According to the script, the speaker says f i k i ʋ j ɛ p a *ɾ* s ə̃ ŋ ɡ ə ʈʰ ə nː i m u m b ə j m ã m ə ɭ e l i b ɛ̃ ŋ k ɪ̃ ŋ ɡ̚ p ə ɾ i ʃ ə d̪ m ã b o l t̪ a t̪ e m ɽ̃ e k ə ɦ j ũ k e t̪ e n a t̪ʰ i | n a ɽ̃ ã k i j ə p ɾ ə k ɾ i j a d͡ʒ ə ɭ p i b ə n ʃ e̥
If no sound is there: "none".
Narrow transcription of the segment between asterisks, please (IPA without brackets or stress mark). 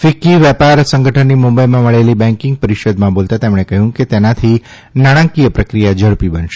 ɾ